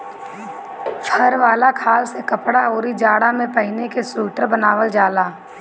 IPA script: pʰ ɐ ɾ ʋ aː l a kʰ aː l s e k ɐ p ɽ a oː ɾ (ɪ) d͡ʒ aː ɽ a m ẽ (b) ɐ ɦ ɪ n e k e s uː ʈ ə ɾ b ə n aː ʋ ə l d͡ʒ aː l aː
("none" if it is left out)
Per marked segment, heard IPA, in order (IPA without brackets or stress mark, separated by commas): i, p